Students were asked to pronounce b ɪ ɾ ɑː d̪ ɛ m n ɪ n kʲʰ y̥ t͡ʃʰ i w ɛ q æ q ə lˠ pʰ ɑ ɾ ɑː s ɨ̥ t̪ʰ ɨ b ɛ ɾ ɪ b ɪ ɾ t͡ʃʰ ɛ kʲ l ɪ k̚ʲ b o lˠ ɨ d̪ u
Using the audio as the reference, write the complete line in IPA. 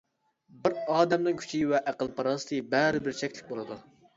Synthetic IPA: b ɪ ɾ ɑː d̪ ɛ m n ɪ ŋ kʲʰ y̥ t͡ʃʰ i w ɛ ʔ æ q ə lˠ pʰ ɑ ɾ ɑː s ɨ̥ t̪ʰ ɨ b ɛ ɾ ɪ b ɪ ɾ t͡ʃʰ ɛ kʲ l ɪ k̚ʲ b o lˠ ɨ d̪ u

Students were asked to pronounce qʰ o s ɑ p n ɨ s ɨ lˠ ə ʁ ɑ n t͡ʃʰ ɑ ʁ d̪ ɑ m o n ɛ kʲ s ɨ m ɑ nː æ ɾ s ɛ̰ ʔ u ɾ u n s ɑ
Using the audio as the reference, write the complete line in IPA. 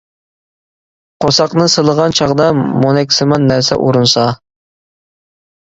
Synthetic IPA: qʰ o s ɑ q n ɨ s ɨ lˠ ə ʁ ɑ n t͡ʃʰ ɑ ʁ d̪ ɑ m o n ɛ kʲ s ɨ m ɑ nː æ ɾ s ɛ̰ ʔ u ɾ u n s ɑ

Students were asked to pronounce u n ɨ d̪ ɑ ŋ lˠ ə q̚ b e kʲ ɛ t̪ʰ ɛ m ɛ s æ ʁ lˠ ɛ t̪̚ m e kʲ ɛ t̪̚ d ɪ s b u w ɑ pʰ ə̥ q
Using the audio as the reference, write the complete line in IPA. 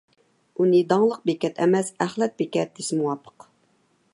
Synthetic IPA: u n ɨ d̪ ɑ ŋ lˠ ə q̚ b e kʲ ɛ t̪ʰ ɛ m ɛ s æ χ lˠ ɛ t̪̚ b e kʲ ɛ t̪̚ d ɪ s m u w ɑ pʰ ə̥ q

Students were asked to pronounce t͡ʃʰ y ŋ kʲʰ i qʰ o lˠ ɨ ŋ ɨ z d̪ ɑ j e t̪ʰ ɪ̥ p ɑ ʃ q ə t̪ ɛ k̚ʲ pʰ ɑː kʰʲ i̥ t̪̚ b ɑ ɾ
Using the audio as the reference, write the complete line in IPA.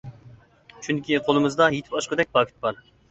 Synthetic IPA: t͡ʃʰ y ŋ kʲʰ i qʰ o lˠ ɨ m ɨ z d̪ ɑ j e t̪ʰ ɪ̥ p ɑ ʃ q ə d̪ ɛ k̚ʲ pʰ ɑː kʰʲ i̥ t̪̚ b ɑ ɾ

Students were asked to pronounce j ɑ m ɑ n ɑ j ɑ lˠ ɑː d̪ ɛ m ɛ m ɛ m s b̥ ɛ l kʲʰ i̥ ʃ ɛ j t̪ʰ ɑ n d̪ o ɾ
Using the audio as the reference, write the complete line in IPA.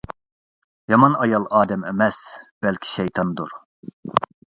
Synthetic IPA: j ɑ m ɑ n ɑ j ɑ lˠ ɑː d̪ ɛ m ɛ m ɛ s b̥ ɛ l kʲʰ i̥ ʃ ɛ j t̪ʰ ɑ n d̪ u ɾ

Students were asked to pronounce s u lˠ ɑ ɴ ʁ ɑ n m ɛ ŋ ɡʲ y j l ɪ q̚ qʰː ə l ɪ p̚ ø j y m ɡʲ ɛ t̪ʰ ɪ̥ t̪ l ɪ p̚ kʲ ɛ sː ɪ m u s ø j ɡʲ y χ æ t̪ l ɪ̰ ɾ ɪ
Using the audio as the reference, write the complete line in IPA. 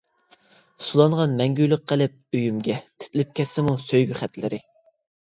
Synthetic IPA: s u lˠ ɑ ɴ ʁ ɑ n m ɛ ŋ ɡʲ y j l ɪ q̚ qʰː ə l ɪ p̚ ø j y m ɡʲ ɛ t̪ʰ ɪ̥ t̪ l ɪ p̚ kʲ ɛ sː ɪ m u s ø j ɡʲ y χ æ t̪ l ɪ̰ ɾ ɪ

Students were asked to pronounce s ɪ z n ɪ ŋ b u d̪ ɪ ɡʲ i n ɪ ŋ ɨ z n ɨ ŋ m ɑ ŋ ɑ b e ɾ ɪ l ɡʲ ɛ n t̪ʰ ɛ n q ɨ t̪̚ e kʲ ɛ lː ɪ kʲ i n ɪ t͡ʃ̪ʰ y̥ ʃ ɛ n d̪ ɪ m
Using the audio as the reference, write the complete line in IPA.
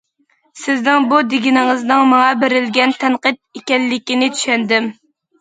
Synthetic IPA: s ɪ z n ɪ ŋ b u d̪ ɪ ɡʲ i n ɪ ŋ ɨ z n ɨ ŋ m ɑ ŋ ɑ b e ɾ ɪ l ɡʲ ɛ n t̪ʰ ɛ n q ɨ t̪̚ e kʲ ɛ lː ɪ kʲ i n ɪ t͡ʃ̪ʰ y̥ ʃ ɛ n d̪ ɪ m

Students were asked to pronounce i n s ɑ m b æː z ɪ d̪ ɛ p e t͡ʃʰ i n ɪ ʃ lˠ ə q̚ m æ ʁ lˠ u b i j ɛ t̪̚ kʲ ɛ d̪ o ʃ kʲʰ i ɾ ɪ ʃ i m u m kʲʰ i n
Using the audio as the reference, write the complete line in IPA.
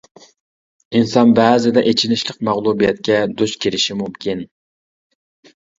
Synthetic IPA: i n s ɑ n b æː z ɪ d̪ ɛ ʔ e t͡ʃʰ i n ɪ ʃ lˠ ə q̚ m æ ʁ lˠ u b i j ɛ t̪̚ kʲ ɛ d̪ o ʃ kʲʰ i ɾ ɪ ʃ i m u m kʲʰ i n

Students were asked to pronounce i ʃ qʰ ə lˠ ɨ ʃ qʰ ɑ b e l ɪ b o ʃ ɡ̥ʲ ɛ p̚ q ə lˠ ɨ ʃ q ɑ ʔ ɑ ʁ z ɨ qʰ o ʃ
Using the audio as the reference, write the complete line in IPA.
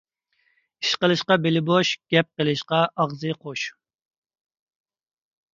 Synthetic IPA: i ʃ q ə lˠ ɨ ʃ q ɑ b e l ɪ b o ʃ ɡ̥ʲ ɛ p̚ q ə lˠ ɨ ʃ q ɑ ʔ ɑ ʁ z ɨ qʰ o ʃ

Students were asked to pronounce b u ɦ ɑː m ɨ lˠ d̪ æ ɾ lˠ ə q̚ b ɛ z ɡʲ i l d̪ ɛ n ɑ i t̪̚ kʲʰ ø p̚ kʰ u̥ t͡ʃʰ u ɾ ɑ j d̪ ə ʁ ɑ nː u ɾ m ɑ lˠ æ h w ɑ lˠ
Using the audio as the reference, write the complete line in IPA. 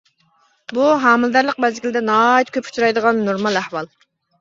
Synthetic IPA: b u ɦ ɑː m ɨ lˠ d̪ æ ɾ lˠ ə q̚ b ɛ z ɡʲ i l d̪ ɛ n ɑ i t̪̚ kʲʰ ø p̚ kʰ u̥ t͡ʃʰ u ɾ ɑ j d̪ ə ʁ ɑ nː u ɾ m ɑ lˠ æ h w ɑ lˠ

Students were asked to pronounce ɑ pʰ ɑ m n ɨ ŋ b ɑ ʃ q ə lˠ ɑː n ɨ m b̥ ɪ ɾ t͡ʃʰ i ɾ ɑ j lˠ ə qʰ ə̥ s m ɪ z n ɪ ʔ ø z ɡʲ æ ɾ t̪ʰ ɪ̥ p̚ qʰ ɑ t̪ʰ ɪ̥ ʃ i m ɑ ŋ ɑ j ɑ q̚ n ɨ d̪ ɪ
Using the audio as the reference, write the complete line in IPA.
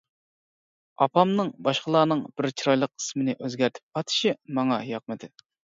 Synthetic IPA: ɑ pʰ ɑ m n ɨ ŋ b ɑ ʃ q ə lˠ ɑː n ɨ ŋ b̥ ɪ ɾ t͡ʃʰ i ɾ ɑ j lˠ ə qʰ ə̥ s m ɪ n ɪ ʔ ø z ɡʲ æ ɾ t̪ʰ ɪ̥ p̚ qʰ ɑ t̪ʰ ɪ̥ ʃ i m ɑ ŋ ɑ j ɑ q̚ m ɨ d̪ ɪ

